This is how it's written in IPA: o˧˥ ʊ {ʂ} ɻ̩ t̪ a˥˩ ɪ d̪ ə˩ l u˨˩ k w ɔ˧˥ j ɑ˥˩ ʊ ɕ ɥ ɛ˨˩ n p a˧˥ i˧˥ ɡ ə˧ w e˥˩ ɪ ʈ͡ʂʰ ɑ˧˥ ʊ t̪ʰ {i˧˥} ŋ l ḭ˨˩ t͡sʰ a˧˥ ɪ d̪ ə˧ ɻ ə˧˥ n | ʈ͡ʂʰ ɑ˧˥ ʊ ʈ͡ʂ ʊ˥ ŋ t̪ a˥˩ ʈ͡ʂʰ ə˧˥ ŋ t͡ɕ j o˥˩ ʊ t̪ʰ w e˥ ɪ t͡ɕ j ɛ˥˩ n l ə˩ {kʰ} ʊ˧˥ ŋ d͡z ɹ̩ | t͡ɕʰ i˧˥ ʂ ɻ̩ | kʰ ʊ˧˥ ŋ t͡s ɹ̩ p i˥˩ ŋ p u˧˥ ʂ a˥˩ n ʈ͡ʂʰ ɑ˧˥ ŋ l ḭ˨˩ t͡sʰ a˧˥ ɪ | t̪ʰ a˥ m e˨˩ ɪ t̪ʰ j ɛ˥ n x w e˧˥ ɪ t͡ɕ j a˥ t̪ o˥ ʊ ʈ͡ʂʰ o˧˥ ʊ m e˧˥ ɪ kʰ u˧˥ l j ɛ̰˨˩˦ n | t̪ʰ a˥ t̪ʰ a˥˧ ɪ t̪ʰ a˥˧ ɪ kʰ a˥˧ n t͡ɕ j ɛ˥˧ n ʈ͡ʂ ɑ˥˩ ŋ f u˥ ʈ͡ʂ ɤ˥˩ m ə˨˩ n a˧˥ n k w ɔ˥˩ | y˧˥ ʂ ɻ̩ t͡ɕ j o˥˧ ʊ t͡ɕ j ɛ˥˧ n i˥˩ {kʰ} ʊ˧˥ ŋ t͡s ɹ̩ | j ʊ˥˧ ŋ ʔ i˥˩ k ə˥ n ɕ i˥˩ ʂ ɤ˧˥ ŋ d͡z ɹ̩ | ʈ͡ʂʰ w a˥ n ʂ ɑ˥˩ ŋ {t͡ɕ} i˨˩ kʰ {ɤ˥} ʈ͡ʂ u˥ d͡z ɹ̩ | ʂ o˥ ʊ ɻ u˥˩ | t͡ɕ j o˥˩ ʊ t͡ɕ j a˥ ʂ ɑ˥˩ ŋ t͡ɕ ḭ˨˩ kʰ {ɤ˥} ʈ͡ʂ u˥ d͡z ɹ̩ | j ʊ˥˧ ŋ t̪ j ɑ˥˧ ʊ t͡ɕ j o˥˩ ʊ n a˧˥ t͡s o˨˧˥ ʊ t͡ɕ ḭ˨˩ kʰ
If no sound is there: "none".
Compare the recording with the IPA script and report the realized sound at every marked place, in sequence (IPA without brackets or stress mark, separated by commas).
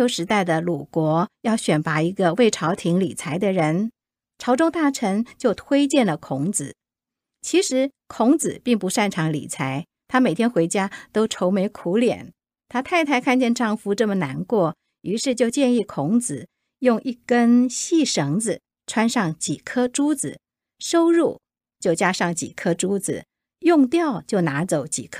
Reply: ʂ, i˧˥, kʰ, kʰ, t͡ɕ, ɤ˥, ɤ˥